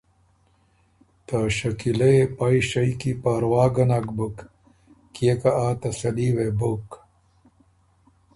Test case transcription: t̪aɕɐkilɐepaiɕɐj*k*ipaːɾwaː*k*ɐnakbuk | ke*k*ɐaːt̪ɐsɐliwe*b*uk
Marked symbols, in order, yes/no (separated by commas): yes, no, yes, yes